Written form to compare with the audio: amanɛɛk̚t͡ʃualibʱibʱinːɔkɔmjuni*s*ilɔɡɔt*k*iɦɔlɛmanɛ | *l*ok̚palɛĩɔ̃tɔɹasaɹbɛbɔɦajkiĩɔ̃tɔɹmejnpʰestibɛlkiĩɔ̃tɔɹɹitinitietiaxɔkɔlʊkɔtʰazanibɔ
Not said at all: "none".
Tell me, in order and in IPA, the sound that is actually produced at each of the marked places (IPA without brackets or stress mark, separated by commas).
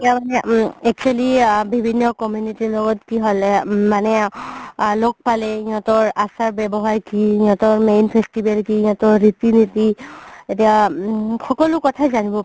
t, k, l